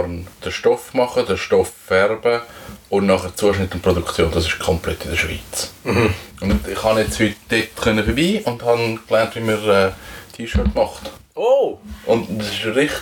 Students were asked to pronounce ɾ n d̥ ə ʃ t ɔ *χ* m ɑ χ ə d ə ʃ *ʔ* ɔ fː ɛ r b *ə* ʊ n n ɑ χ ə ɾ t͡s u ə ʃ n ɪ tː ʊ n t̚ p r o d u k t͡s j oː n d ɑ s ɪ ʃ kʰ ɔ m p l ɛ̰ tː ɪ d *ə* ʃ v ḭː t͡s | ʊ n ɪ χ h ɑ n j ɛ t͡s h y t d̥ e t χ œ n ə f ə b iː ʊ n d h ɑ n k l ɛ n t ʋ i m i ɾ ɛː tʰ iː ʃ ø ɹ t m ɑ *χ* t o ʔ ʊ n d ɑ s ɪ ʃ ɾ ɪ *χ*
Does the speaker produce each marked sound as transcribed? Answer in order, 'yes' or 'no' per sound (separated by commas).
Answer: no, no, yes, yes, yes, yes